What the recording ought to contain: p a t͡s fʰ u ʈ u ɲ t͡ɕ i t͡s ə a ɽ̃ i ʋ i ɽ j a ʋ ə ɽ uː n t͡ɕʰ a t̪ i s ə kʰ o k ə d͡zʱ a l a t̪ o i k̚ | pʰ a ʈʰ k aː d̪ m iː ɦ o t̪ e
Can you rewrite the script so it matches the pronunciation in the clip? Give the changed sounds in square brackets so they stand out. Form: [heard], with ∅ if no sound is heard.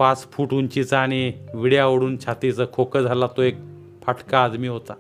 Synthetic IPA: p a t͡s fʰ u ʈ u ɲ t͡ɕ i t͡s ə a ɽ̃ i ʋ i ɽ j a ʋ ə ɽ uː n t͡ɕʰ a t̪ i [t͡s] ə kʰ o k ə d͡zʱ a l a t̪ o [e] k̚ | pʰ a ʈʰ k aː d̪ m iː ɦ o t̪ [a]